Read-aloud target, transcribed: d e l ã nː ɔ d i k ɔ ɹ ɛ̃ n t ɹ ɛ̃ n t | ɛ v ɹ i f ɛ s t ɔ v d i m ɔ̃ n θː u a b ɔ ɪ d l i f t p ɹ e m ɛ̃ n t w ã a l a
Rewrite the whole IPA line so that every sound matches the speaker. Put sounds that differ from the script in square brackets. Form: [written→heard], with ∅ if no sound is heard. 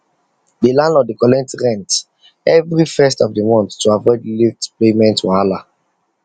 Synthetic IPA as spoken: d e l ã [nː→n] ɔ d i k ɔ [ɹ→l] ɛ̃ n t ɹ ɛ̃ n t | ɛ v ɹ i f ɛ s t ɔ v d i m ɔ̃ n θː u a [b→v] ɔ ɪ d l i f t p [ɹ→l] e m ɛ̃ n t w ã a l a